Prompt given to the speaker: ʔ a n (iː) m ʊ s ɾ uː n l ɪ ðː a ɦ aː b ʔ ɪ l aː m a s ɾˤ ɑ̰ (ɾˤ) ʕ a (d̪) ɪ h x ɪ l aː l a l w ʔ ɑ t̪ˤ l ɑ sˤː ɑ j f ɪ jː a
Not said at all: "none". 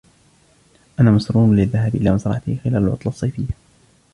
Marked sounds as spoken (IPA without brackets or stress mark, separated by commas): aː, none, t̪